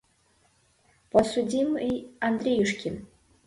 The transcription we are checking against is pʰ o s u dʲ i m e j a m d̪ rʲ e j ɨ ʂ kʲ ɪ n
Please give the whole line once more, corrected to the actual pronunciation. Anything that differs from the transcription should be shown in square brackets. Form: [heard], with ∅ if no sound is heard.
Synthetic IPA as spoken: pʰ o s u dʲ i m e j a [n] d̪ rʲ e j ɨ ʂ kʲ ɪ n